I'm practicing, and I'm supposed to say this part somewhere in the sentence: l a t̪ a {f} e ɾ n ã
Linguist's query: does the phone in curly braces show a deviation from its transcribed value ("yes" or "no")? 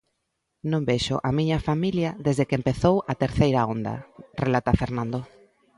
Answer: no